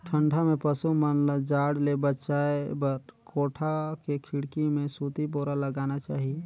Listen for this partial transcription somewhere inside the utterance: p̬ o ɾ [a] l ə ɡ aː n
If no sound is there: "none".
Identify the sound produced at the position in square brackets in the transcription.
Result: a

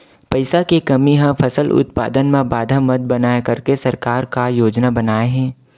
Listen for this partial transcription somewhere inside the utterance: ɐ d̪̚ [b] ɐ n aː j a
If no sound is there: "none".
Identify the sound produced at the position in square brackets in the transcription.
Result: b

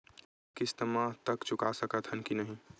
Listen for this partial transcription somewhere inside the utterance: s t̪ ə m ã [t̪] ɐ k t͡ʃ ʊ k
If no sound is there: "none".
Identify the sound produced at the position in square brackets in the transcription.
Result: t̪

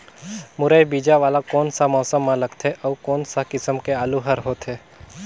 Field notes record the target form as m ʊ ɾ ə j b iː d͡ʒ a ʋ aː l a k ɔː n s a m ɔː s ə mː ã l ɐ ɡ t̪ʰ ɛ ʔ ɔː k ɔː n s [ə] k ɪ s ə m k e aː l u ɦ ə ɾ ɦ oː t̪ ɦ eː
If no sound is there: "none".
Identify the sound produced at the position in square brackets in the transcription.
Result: a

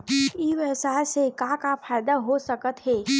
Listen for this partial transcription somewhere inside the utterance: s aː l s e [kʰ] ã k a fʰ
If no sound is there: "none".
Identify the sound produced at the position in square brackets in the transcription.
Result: k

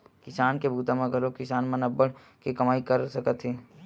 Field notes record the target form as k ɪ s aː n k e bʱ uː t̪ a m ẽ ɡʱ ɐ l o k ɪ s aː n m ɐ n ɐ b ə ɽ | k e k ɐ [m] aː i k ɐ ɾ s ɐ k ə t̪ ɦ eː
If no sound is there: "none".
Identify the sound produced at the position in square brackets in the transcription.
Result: m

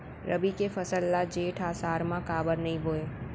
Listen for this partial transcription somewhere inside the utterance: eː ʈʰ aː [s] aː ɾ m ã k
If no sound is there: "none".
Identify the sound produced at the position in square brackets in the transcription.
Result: s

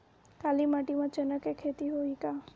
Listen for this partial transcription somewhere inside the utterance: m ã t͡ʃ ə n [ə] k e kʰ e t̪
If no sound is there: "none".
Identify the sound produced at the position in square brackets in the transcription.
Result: ə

